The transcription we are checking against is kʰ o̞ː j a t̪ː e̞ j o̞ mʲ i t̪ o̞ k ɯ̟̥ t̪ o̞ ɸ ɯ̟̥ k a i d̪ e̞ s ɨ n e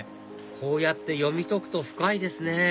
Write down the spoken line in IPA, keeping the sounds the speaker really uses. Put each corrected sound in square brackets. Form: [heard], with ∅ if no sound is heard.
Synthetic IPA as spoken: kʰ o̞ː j a t̪ː e̞ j o̞ mʲ i t̪ o̞ k ɯ̟̥ t̪ o̞ ɸ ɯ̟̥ k a i d̪ e̞ s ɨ n e